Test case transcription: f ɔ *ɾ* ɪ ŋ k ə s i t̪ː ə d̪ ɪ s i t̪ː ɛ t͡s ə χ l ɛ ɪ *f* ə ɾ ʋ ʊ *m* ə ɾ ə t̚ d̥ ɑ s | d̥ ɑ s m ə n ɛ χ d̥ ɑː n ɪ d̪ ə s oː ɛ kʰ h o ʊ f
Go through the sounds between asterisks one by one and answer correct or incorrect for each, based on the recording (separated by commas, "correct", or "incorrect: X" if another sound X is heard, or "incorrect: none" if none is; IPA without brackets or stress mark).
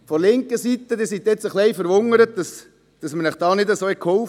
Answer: incorrect: l, correct, incorrect: ŋ